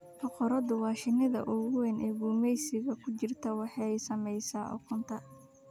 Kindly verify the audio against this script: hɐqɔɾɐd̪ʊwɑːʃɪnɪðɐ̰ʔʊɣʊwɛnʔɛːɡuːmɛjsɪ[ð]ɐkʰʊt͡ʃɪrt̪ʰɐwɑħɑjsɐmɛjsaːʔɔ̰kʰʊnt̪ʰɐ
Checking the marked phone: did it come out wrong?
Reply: yes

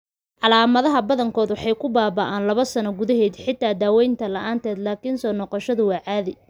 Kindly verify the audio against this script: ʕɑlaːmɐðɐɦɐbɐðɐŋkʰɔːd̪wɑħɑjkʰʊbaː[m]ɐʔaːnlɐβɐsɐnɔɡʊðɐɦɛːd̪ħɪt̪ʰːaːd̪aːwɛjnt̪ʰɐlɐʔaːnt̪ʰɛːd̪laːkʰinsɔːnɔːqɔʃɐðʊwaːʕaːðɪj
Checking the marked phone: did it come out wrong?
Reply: yes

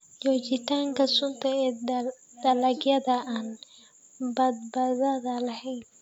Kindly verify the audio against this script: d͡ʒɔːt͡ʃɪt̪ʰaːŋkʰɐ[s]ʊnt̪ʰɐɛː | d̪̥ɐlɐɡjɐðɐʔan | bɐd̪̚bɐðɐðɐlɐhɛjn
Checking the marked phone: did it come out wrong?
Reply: no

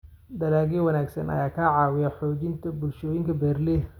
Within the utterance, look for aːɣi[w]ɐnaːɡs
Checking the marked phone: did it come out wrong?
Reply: no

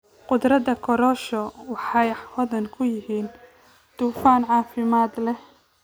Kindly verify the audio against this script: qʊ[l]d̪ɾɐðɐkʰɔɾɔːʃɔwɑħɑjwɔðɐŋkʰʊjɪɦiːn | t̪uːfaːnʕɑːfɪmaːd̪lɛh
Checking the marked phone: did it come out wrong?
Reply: yes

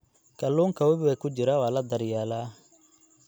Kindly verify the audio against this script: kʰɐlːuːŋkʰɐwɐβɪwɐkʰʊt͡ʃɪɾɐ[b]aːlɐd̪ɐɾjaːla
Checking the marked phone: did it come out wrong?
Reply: yes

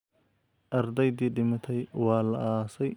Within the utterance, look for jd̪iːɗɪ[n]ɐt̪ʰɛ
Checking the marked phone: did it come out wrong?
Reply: yes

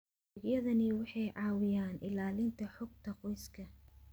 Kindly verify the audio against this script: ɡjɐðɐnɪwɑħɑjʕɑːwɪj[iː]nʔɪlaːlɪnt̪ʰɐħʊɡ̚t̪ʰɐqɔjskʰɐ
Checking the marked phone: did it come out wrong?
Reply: yes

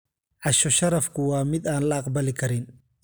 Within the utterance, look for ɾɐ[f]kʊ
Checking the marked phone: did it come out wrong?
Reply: no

